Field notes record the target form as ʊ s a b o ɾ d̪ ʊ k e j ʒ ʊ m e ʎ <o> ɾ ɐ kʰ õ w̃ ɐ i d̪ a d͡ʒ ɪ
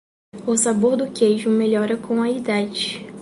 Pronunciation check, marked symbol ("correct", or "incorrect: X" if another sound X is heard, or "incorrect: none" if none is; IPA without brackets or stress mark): incorrect: ɔ